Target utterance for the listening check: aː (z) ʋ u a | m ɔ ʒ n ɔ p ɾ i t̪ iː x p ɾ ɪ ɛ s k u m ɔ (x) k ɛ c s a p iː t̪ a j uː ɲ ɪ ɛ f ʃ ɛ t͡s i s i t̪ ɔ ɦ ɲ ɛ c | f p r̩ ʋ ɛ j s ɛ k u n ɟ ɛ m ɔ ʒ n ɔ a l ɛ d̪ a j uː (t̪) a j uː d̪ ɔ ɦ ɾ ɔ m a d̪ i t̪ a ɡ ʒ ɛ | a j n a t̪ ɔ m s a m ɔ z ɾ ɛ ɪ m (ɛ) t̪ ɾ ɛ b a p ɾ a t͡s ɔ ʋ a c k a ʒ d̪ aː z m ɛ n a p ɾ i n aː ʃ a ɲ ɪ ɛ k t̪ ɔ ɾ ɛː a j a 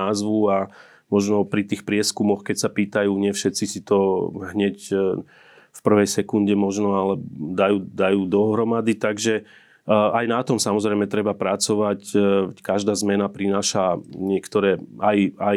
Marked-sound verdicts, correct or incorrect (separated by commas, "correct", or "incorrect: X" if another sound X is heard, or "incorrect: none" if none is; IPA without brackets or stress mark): correct, correct, incorrect: d̪, correct